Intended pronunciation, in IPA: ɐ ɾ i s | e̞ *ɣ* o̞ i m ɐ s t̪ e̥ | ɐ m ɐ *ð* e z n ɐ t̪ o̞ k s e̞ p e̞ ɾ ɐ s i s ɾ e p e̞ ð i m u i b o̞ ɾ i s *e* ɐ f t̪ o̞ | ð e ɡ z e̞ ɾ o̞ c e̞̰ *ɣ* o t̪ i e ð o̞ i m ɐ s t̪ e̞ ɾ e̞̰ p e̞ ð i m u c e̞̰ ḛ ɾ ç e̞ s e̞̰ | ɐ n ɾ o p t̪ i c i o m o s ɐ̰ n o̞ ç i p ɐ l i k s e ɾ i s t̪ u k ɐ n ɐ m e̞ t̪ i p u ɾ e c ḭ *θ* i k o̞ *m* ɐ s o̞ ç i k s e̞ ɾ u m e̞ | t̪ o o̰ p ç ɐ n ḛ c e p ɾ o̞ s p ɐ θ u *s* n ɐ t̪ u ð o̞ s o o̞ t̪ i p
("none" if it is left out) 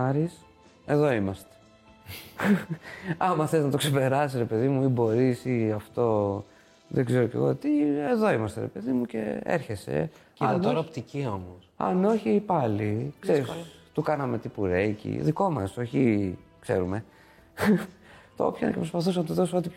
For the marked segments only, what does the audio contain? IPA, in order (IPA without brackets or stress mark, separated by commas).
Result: ð, θ, i, ɣ, ð, m, s